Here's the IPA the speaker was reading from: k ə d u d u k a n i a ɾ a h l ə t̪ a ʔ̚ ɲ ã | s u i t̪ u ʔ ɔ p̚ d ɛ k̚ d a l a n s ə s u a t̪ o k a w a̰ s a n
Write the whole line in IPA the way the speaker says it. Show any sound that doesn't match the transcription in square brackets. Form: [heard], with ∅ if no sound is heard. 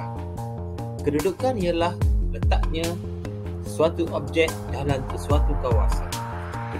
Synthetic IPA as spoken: k ə d u d u k a n i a [l] a h l ə t̪ a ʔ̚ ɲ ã | s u [a] t̪ u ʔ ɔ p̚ [d͡ʒ] ɛ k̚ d a l a n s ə s u a t̪ [u] k a w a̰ s a n

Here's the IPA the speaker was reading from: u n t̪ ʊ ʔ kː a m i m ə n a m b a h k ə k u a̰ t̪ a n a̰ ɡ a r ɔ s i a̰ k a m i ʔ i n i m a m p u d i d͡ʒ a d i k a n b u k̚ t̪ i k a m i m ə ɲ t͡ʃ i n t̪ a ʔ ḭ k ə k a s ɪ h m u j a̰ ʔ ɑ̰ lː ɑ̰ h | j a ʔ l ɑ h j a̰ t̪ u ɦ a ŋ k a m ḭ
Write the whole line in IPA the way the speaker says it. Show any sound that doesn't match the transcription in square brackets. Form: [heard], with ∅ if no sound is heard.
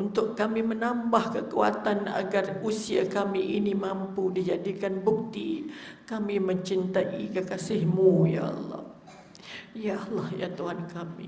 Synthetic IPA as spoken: u n t̪ ʊ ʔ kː a m i m ə n a m b a h k ə k u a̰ t̪ a n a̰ ɡ a r [u] s i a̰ k a m i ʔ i n i m a m p u d i d͡ʒ a d i k a n b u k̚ t̪ i k a m i m ə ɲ t͡ʃ i n t̪ a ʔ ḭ k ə k a s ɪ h m u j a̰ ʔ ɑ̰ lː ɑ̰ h | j a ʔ l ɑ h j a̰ t̪ u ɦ a [n] k a m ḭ

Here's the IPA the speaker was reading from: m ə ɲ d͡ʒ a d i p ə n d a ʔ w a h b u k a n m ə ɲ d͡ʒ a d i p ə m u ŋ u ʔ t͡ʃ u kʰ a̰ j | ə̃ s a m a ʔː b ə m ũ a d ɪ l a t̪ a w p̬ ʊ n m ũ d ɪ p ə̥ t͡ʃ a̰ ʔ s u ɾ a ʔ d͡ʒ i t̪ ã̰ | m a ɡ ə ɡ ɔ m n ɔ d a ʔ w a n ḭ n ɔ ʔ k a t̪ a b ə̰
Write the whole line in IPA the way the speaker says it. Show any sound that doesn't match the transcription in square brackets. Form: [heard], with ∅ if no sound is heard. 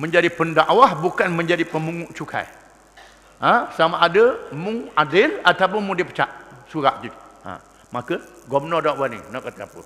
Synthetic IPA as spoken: m ə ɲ d͡ʒ a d i p ə n d a ʔ w a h b u k a n m ə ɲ d͡ʒ a d i p ə m u ŋ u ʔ t͡ʃ u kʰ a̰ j | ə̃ s a m a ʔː [d] ə m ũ a d ɪ l a t̪ a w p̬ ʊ n m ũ d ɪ p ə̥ t͡ʃ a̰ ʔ s u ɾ a ʔ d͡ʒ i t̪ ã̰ | m a [k] ə ɡ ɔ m n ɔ d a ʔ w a n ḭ n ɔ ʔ k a t̪ a [p] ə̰

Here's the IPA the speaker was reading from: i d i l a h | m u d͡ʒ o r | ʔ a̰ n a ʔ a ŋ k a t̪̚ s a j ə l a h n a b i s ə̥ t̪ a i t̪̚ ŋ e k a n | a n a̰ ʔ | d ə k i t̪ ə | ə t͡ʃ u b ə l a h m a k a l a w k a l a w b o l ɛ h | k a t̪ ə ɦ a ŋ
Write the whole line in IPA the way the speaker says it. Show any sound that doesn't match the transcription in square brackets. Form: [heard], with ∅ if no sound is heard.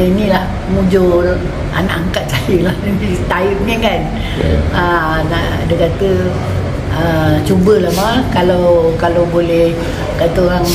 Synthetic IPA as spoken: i [n] i l a h | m u d͡ʒ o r | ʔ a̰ n a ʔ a ŋ k a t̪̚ s a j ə l a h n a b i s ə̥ t̪ a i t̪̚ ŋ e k a n | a n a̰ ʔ | d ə k [a] t̪ ə | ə t͡ʃ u b ə l a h m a k a l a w k a l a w b o l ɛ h | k a t̪ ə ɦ a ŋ

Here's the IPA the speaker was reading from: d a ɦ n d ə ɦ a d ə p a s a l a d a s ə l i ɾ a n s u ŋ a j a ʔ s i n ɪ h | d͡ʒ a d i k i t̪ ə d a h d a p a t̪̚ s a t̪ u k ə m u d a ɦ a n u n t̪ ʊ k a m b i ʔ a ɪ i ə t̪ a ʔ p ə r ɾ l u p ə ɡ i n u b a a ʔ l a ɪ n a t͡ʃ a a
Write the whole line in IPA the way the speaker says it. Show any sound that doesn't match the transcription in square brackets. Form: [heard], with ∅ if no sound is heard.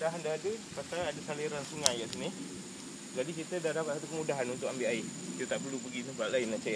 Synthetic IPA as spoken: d a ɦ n d [a] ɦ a d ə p a s a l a d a s [a] l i ɾ a n s u ŋ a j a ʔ s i n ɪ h | d͡ʒ a d i k i t̪ ə d a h d a p a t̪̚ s a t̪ u k ə m u d a ɦ a n u n t̪ ʊ k a m b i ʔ a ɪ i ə t̪ a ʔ p ə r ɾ l u p ə ɡ i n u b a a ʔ l a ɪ n a t͡ʃ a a

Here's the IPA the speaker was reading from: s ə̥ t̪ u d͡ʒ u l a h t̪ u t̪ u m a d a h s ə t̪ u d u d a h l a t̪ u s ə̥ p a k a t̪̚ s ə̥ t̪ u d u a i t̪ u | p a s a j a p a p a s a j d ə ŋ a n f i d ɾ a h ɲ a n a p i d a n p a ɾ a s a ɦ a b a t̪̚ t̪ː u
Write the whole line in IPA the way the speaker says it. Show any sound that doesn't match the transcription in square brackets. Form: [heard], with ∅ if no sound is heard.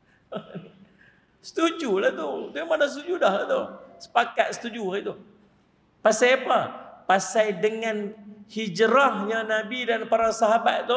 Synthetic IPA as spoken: s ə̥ t̪ u d͡ʒ u l a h t̪ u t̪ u m a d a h s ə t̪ u [d͡ʒ] u d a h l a t̪ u s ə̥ p a k a t̪̚ s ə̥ t̪ u [d͡ʒ] u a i t̪ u | p a s a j a p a p a s a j d ə ŋ a n [h] i [d͡ʒ] ɾ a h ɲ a n a [b] i d a n p a ɾ a s a ɦ a b a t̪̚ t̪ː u

